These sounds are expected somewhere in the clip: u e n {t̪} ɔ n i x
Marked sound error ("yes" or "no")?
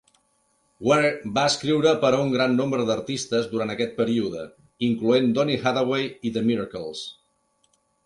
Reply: yes